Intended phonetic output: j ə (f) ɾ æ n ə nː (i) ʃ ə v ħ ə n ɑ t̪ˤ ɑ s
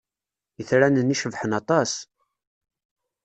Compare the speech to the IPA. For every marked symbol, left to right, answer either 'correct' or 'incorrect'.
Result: incorrect, correct

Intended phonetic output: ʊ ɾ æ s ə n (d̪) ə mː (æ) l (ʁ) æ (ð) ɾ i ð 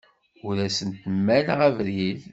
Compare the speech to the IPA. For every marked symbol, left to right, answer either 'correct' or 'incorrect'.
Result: incorrect, correct, correct, incorrect

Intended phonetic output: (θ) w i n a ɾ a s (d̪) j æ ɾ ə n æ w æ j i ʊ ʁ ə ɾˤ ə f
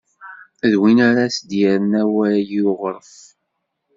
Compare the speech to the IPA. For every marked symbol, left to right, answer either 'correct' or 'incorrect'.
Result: incorrect, correct

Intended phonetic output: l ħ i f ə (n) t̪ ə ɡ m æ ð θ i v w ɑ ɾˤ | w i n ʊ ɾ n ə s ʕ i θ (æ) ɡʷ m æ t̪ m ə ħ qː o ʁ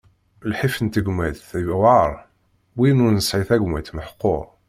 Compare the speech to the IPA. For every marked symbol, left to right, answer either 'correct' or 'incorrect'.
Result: correct, correct

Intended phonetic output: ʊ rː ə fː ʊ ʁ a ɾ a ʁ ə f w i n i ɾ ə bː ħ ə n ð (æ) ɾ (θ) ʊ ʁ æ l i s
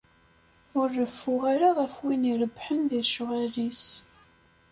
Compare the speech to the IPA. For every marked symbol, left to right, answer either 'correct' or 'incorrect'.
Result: incorrect, incorrect

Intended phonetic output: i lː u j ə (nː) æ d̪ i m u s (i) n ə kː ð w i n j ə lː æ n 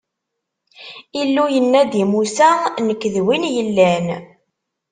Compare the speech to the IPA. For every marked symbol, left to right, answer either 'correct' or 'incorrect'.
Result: correct, incorrect

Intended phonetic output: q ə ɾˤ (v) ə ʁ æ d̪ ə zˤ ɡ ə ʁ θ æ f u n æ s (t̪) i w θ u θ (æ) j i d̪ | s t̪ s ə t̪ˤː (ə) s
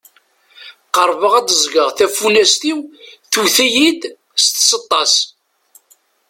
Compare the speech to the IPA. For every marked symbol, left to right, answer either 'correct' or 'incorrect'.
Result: correct, correct, correct, incorrect

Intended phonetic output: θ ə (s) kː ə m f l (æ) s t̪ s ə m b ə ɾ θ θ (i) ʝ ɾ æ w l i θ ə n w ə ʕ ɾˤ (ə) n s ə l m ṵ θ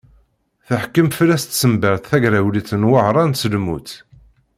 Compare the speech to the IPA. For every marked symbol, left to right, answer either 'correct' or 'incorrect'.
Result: incorrect, correct, incorrect, incorrect

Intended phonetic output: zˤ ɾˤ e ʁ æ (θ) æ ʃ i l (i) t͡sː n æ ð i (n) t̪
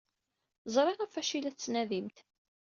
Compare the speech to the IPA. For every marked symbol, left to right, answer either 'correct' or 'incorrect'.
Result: incorrect, incorrect, incorrect

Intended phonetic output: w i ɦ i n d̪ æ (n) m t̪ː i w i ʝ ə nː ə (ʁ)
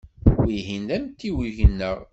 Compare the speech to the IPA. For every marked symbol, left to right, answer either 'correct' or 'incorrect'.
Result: incorrect, correct

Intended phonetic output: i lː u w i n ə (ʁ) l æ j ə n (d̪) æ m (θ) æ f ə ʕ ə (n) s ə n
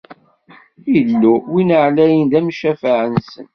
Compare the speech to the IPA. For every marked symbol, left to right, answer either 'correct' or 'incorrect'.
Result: incorrect, correct, incorrect, correct

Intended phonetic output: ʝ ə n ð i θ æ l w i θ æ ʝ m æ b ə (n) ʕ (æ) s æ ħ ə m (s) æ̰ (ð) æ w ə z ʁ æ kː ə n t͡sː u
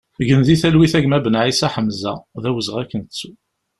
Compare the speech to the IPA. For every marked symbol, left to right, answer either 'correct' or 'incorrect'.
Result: correct, incorrect, incorrect, correct

